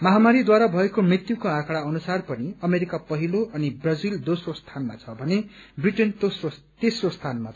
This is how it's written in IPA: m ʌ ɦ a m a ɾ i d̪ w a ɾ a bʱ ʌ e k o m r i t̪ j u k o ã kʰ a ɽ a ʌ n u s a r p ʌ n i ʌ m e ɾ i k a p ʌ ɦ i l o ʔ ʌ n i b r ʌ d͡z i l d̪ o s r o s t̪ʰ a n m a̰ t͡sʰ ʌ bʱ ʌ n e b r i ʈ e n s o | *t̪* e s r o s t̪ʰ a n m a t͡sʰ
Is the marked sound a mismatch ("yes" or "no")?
no